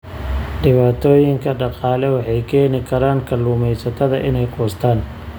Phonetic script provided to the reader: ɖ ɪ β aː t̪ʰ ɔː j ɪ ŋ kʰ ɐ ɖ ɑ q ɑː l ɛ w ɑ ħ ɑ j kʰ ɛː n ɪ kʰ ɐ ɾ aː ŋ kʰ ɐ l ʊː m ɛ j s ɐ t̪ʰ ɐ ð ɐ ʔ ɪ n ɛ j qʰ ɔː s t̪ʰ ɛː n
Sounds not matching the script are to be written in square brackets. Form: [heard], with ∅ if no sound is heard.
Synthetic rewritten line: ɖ ɪ β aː t̪ʰ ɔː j ɪ ŋ kʰ ɐ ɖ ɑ q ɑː l ɛ w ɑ ħ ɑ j kʰ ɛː n ɪ kʰ ɐ ɾ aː ŋ kʰ ɐ l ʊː m ɛ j s ɐ t̪ʰ ɐ ð ɐ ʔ ɪ n ɛ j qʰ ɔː s t̪ʰ [aː] n